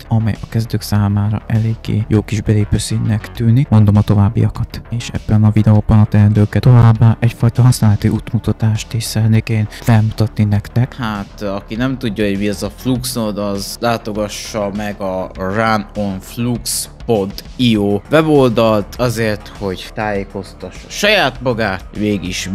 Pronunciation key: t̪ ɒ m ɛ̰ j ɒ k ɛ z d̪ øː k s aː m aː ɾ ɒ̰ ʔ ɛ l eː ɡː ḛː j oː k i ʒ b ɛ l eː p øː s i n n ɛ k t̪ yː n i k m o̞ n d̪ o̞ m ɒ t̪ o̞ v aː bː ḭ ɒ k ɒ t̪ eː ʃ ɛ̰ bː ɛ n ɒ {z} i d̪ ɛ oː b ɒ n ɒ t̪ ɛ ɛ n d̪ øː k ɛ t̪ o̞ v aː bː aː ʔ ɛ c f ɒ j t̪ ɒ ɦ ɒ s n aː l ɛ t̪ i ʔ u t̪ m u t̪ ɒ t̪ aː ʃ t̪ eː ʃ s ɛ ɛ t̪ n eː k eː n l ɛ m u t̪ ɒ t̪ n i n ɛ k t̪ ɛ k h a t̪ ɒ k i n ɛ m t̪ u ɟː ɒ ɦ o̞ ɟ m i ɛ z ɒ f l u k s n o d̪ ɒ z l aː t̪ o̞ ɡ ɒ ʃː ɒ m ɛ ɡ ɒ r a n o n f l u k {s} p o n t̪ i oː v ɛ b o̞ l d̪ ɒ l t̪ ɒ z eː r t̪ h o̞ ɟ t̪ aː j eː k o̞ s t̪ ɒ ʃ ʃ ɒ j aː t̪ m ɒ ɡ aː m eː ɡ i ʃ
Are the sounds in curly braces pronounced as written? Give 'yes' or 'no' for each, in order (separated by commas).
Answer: no, yes